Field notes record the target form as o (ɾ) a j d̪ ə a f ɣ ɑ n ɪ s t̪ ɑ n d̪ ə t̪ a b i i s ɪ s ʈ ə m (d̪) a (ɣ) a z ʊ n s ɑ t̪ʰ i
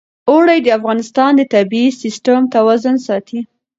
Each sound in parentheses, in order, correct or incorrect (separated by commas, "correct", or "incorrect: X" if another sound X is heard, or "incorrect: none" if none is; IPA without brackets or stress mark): incorrect: ɽ, incorrect: t̪, incorrect: w